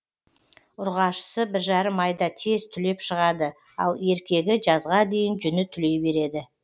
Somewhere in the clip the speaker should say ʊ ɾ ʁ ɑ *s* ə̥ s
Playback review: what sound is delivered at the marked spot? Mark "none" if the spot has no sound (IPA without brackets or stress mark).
ʃ